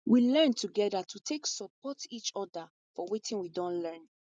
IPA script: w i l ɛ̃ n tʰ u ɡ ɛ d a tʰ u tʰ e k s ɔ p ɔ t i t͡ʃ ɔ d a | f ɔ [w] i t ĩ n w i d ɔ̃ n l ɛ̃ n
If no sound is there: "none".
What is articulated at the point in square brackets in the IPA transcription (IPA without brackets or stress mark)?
w